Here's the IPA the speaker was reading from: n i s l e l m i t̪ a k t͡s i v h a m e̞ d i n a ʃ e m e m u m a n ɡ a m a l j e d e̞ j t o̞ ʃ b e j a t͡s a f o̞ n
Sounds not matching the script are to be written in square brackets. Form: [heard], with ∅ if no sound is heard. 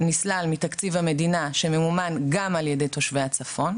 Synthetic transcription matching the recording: n i s l [a] l m i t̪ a k t͡s i v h a m e̞ d i n a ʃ e m e m u m a n ɡ a m a l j e d e̞ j t o̞ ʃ [v] e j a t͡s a f o̞ n